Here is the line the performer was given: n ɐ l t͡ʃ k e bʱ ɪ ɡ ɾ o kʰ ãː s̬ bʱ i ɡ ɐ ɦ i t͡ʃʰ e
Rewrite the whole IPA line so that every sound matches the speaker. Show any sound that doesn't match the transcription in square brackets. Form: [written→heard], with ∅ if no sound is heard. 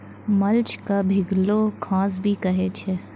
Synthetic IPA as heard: [n→m] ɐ l t͡ʃ k [e→a] bʱ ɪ ɡ [ɾ→l] o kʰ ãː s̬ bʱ i [ɡ→k] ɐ ɦ [i→e] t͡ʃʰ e